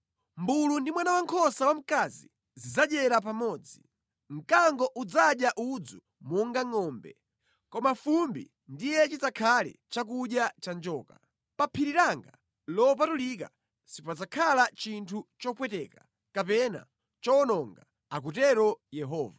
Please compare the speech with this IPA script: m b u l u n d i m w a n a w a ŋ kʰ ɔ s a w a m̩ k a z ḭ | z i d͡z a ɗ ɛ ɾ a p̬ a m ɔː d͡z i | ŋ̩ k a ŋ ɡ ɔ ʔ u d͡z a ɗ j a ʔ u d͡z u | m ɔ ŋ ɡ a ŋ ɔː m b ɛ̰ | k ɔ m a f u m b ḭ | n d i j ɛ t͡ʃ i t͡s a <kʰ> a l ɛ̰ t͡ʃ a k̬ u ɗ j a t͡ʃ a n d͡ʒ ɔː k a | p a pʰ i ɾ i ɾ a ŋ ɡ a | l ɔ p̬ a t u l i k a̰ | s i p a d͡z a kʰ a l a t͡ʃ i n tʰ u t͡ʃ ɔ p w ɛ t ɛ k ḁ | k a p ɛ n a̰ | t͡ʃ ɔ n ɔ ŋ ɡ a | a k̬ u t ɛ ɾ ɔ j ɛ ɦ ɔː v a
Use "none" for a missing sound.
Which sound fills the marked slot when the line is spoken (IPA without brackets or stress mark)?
kʰ